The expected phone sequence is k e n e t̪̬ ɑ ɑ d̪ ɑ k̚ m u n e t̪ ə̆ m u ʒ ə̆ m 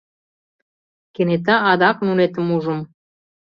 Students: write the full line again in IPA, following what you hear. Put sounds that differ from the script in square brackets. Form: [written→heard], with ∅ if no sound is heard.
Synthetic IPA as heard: k e n e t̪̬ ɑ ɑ d̪ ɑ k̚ [m→n] u n e t̪ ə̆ m u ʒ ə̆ m